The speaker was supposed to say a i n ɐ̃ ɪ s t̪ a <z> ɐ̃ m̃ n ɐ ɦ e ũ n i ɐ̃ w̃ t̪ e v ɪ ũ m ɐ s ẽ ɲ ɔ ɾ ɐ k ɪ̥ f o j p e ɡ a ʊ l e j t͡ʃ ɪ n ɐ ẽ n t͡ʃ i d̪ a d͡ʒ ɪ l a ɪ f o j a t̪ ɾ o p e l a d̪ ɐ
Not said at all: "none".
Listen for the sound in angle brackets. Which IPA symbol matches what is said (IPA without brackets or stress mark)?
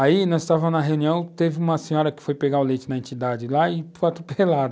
v